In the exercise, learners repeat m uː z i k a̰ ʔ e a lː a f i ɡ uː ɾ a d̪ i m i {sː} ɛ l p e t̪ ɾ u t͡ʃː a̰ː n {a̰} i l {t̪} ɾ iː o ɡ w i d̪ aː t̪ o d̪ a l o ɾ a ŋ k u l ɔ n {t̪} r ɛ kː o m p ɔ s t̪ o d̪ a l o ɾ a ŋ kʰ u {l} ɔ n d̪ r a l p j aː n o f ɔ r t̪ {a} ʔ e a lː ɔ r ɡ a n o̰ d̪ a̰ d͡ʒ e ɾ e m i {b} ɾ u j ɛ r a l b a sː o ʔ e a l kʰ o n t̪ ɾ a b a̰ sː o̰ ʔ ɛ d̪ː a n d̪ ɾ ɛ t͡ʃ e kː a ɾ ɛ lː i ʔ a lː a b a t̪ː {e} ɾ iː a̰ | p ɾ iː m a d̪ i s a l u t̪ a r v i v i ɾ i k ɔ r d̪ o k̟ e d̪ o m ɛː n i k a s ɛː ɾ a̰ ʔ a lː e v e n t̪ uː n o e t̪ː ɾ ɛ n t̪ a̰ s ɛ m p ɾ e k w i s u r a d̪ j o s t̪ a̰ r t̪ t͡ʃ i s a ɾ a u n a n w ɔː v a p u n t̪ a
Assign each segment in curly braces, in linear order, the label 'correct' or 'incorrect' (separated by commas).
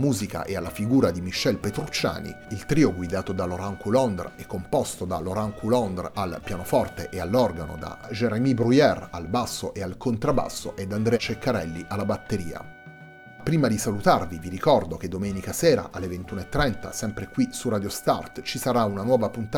incorrect, incorrect, correct, incorrect, correct, incorrect, correct, correct